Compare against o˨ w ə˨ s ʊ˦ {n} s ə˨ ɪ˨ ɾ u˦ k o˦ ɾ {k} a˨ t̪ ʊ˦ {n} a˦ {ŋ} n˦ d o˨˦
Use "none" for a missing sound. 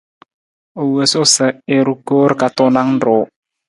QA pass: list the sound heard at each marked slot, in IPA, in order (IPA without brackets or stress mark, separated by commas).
none, k, n, ŋ